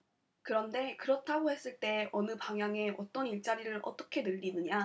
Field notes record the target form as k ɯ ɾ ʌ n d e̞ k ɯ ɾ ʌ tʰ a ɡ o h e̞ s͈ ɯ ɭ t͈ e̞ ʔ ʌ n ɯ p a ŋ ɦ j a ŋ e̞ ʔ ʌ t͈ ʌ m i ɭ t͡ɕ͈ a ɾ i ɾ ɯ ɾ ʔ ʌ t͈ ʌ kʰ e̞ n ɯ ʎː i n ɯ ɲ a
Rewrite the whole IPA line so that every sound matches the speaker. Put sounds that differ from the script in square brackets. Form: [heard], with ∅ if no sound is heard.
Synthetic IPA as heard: k ɯ ɾ ʌ n d e̞ k ɯ ɾ ʌ tʰ a ɡ o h e̞ s͈ ɯ ɭ t͈ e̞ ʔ ʌ n ɯ p a ŋ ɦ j a ŋ e̞ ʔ ʌ t͈ ʌ [n] i ɭ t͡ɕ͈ a ɾ i ɾ ɯ ɾ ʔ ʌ t͈ ʌ kʰ e̞ n ɯ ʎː i n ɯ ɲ a

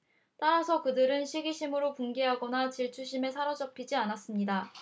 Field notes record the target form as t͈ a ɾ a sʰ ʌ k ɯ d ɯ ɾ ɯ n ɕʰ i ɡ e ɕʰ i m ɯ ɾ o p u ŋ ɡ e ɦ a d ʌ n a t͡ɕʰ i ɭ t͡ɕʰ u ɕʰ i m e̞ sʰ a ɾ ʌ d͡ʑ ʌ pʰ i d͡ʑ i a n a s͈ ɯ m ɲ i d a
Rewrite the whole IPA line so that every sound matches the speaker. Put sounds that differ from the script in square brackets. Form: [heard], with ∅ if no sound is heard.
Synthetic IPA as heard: t͈ a ɾ a sʰ ʌ k ɯ d ɯ ɾ ɯ n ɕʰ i ɡ [i] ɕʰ i m ɯ ɾ o p u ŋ ɡ e ɦ a [ɡ] ʌ n a [t͡ɕ] i ɭ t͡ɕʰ u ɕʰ i m e̞ sʰ a ɾ ʌ d͡ʑ ʌ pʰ i d͡ʑ i a n a s͈ ɯ m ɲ i d a

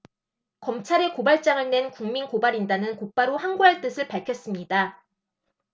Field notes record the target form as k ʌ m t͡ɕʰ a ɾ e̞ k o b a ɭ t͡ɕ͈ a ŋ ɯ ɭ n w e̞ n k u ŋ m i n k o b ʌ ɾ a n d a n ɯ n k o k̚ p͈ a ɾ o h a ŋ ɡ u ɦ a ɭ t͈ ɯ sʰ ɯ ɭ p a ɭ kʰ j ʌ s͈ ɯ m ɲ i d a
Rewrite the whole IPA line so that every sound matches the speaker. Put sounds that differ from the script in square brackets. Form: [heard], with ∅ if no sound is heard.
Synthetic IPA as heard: k ʌ m t͡ɕʰ a ɾ e̞ k o b a ɭ t͡ɕ͈ a ŋ ɯ ɭ n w e̞ n k u ŋ m i n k o b [a] ɾ [i] n d a n ɯ n k o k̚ p͈ a ɾ o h a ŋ ɡ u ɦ a ɭ t͈ ɯ sʰ ɯ ɭ p a ɭ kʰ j ʌ s͈ ɯ m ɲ i d a

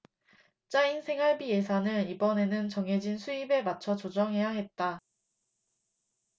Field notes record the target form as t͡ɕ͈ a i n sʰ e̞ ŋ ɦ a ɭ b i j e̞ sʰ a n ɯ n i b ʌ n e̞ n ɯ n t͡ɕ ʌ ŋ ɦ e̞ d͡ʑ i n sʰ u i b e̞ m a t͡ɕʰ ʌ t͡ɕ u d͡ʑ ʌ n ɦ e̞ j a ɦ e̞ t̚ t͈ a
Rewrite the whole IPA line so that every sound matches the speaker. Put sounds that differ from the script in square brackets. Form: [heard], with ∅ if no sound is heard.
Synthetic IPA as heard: t͡ɕ͈ a i n sʰ e̞ ŋ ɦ a ɭ b i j e̞ sʰ a n ɯ n i b ʌ n e̞ n ɯ n t͡ɕ ʌ ŋ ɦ e̞ d͡ʑ i n sʰ u i b e̞ m a t͡ɕʰ ʌ t͡ɕ [o] d͡ʑ ʌ [ŋ] ɦ e̞ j a ɦ e̞ t̚ t͈ a

